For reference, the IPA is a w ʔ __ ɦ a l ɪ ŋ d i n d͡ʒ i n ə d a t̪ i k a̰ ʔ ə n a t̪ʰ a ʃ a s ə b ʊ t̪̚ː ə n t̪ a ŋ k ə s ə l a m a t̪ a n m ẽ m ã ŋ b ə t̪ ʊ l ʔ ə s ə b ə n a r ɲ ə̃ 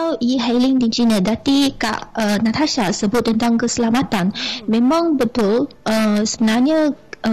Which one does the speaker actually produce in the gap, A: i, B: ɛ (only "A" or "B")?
A